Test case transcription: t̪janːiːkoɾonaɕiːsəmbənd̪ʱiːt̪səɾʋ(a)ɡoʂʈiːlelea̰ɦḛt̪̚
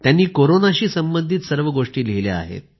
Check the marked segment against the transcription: incorrect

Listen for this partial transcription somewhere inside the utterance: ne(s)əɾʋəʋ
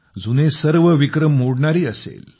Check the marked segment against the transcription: correct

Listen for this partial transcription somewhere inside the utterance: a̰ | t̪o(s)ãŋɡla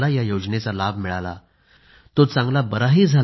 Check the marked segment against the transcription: incorrect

